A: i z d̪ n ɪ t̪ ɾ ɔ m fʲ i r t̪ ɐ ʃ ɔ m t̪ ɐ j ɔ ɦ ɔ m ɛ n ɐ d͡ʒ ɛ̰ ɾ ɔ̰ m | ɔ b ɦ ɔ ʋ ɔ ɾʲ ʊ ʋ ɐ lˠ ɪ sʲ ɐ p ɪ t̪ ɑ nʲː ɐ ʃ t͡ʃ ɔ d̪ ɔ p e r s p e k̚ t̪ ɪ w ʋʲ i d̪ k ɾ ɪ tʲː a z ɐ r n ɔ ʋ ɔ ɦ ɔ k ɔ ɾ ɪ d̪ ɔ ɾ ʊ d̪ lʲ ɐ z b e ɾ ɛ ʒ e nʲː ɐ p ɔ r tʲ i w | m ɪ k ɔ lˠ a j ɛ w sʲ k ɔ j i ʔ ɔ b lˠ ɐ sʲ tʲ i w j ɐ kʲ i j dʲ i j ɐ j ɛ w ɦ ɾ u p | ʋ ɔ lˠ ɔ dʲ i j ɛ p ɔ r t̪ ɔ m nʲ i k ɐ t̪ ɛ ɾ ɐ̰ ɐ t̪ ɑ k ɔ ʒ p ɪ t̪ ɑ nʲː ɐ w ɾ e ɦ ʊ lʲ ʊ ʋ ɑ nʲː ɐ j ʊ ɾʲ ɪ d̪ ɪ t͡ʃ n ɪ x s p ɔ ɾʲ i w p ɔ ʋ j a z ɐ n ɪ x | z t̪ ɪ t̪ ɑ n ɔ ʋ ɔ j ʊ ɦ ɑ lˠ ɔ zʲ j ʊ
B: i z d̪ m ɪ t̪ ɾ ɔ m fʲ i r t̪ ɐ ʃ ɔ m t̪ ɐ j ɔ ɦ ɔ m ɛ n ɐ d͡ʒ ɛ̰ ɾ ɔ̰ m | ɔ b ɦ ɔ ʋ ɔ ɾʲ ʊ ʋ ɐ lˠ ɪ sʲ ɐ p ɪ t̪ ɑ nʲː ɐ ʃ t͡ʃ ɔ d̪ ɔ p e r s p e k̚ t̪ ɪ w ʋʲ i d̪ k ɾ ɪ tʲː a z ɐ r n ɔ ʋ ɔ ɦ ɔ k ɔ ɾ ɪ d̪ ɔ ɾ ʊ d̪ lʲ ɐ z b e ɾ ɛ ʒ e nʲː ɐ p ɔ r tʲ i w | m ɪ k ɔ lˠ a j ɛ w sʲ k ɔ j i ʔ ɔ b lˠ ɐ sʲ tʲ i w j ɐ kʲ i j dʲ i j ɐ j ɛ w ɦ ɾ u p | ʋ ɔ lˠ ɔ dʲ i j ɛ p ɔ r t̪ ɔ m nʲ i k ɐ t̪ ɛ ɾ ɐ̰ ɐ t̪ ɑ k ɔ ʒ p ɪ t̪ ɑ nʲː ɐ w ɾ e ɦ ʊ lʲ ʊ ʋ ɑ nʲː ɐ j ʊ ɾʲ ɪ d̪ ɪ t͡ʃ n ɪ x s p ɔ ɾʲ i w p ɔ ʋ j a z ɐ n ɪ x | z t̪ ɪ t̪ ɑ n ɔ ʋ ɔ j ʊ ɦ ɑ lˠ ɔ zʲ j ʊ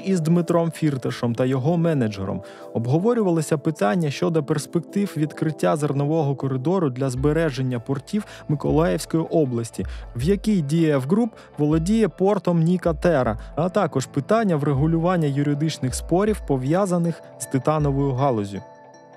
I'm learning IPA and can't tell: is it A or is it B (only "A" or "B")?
B